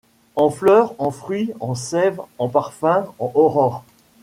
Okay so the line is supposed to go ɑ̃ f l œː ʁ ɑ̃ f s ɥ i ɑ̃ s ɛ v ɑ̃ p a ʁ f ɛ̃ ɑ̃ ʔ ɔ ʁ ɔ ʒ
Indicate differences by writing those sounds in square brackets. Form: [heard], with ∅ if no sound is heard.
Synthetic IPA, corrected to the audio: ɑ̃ f l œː ʁ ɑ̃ f [χ] ɥ i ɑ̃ s ɛ v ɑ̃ p a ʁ f ɛ̃ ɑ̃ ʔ ɔ ʁ ɔ [ʁ]